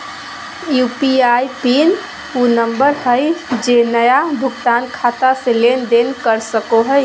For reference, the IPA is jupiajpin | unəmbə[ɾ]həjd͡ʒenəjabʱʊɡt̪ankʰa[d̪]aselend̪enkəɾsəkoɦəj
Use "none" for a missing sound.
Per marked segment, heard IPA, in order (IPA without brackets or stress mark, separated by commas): ɾ, t̪